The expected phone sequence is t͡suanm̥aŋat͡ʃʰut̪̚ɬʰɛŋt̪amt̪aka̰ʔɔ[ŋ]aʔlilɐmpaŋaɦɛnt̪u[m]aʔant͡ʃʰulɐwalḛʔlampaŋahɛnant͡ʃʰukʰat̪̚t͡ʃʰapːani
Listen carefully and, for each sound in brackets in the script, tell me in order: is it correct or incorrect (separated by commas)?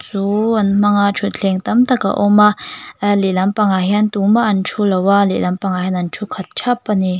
incorrect, correct